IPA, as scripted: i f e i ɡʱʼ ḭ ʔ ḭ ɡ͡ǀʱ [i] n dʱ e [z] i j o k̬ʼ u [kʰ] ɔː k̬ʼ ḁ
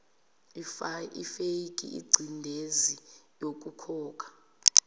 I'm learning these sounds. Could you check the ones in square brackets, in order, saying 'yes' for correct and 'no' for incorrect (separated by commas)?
yes, yes, yes